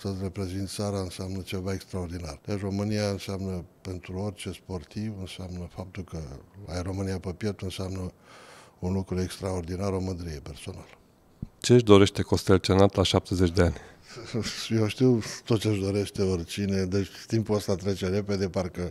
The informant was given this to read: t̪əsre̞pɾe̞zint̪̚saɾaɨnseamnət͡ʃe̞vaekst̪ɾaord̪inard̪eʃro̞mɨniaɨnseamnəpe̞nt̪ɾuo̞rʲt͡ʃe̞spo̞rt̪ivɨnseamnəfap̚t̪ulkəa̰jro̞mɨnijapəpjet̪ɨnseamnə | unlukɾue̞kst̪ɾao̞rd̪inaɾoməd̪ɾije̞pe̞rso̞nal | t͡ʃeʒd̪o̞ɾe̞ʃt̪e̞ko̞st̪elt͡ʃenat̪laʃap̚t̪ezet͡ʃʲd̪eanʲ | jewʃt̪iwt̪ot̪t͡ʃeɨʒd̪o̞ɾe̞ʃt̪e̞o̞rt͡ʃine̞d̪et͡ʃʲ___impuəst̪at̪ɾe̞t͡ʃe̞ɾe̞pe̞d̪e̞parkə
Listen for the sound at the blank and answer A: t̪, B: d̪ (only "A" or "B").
A